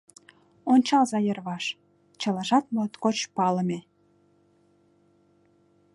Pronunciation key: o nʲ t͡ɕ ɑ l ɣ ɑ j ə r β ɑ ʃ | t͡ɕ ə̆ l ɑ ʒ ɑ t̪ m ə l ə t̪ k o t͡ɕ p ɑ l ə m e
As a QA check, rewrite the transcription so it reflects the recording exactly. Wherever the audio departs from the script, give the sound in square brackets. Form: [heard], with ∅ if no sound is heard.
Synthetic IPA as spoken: o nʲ t͡ɕ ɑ l [z] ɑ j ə r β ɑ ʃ | t͡ɕ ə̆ l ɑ ʒ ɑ t̪ m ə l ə t̪ k o t͡ɕ p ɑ l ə m e

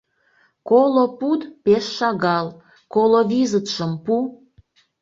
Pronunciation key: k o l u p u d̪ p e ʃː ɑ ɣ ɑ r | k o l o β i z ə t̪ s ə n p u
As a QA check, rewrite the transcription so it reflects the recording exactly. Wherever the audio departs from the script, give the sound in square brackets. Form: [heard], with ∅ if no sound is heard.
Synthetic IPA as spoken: k o l [o] p u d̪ p e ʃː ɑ ɣ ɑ [l] | k o l o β i z ə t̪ [ʃ] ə [m] p u

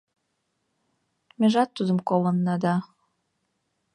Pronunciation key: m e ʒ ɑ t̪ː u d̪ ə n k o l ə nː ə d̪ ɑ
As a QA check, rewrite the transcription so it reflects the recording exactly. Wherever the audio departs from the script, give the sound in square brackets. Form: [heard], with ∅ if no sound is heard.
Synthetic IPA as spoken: m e ʒ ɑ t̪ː u d̪ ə [m] k o l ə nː [ɑ] d̪ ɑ

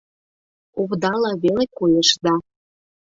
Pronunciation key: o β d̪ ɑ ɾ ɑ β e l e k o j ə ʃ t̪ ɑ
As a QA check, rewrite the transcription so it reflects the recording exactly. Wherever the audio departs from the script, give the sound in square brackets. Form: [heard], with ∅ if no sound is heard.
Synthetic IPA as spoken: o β d̪ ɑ [l] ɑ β e l e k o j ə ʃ [d̪] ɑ

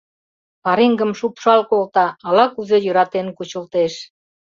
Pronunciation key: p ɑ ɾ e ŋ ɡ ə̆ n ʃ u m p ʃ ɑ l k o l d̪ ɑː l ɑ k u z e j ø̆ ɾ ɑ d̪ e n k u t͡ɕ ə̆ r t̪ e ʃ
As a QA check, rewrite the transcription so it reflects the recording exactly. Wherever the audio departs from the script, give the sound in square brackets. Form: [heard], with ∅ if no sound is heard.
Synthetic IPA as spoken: p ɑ ɾ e ŋ ɡ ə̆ [m] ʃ u [∅] p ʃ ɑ l k o l [t̪] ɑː l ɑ k u z e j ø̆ ɾ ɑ [t̪] e n k u t͡ɕ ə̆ [l] t̪ e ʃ

